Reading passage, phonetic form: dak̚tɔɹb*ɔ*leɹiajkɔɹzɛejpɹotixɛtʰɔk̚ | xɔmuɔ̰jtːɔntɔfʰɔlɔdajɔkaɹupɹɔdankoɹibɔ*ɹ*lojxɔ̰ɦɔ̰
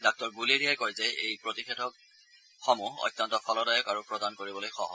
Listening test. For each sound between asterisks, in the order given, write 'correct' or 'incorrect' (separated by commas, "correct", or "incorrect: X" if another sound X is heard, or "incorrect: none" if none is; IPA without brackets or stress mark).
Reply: incorrect: u, incorrect: none